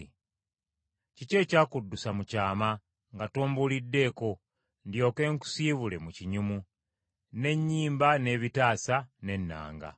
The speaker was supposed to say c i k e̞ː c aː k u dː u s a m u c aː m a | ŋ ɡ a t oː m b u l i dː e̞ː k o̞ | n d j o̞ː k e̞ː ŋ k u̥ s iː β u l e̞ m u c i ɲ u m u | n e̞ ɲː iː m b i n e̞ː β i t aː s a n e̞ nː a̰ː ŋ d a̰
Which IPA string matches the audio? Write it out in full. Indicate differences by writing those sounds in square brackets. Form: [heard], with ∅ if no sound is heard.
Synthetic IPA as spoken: c i [c] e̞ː c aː k u dː u s a m u c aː m a | ŋ ɡ a t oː m b u l i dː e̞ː k o̞ | n d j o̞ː k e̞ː ŋ k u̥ s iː β u l e̞ m u c i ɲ u m u | n e̞ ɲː iː m b [a] n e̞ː β i t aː s a n e̞ nː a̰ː ŋ [ɡ] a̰